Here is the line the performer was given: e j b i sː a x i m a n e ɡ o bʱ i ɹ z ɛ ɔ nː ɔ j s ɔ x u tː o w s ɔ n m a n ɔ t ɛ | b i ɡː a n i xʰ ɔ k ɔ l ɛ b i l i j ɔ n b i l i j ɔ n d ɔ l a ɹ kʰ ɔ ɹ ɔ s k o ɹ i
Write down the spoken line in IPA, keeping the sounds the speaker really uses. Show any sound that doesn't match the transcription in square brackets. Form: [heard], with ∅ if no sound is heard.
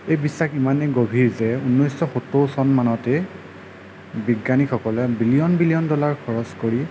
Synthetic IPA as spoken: e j b i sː a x i m a n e ɡ o bʱ i ɹ z ɛ [u] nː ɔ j s ɔ x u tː o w s ɔ n m a n ɔ t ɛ | b i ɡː a n i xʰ ɔ k ɔ l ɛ b i l i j ɔ n b i l i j ɔ n d ɔ l a ɹ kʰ ɔ ɹ ɔ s k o ɹ i